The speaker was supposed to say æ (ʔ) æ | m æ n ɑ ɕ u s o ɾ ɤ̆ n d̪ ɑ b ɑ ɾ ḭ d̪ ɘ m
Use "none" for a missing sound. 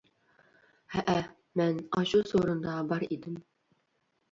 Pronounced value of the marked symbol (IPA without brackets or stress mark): ʔ